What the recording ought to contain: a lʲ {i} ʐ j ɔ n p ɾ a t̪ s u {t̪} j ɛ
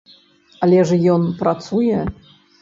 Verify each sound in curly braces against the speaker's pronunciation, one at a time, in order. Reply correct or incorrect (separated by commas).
incorrect, incorrect